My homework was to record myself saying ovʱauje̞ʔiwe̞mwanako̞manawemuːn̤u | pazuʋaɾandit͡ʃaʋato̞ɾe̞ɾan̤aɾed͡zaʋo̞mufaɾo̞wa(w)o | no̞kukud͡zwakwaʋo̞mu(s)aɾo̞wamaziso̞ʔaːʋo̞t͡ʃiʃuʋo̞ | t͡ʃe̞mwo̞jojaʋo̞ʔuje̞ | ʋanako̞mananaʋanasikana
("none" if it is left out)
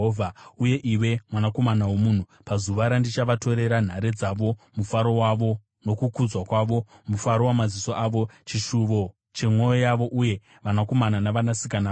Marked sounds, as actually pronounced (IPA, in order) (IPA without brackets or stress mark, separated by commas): ʋ, f